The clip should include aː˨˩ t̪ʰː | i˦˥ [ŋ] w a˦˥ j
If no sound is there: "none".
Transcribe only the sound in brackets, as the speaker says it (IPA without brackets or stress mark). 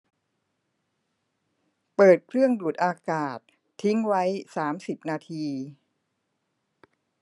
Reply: ŋ